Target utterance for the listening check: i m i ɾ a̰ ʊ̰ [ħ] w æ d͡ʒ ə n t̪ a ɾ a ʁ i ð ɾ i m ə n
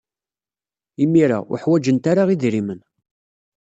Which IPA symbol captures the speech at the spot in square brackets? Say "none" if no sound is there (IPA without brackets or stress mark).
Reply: ħ